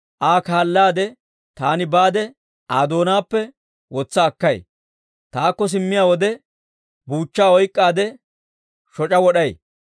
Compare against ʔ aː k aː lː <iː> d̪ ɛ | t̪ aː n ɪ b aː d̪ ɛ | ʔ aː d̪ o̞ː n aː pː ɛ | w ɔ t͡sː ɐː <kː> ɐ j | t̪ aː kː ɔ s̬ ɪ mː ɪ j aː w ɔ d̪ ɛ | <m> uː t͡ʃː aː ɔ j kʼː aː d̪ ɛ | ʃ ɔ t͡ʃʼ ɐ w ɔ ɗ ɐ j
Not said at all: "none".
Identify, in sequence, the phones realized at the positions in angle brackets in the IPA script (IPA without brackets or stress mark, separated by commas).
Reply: aː, kː, b